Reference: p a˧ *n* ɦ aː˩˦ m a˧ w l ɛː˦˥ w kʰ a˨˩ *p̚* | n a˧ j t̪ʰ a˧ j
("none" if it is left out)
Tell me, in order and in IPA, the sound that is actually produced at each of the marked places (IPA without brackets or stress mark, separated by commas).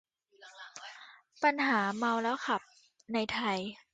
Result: n, p̚